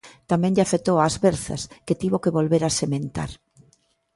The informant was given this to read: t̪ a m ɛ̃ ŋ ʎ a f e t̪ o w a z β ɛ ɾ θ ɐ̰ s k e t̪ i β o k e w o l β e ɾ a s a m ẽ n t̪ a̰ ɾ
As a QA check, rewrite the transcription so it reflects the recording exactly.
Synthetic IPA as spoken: t̪ a m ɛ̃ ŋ ʎ a f e t̪ o w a z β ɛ ɾ θ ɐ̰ s k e t̪ i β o k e β o l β e ɾ a s e m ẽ n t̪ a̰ ɾ